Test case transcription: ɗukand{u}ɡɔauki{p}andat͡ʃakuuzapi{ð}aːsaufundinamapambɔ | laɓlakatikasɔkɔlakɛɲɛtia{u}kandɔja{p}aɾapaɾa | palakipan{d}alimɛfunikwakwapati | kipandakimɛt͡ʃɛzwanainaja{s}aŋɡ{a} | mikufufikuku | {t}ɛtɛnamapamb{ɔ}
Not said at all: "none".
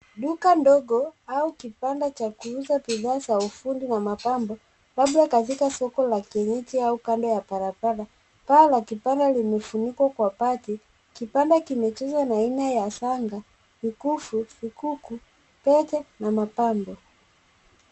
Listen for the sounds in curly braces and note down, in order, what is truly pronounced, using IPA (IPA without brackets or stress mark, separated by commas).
ɔ, p, ð, u, p, d, s, a, p, ɔ